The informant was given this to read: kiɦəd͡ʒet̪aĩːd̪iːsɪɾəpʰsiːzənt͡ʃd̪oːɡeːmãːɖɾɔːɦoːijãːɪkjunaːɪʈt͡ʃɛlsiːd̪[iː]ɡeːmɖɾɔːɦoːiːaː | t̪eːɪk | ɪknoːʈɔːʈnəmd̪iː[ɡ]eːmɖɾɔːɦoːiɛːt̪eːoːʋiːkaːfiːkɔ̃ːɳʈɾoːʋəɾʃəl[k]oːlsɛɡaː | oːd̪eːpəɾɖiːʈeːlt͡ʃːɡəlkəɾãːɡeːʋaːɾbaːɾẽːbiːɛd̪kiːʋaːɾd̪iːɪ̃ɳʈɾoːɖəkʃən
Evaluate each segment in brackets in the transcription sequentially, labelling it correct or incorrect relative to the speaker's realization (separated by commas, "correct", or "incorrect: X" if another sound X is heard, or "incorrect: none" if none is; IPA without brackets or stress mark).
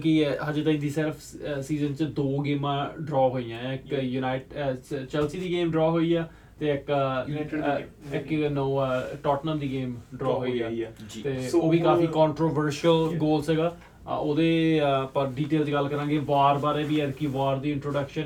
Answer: correct, correct, incorrect: ɡ